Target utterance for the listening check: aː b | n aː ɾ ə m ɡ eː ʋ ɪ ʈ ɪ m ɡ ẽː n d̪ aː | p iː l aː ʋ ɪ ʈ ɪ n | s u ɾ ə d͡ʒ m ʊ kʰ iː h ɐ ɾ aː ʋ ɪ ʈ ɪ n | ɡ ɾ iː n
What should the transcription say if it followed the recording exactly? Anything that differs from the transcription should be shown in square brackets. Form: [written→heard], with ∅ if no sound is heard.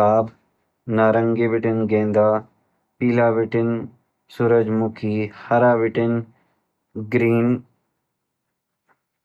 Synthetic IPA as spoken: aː b | n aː ɾ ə [m→ŋ] ɡ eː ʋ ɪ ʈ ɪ [m→n] ɡ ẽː n d̪ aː | p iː l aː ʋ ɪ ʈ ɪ n | s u ɾ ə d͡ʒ m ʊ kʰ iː h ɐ ɾ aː ʋ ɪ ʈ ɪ n | ɡ ɾ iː n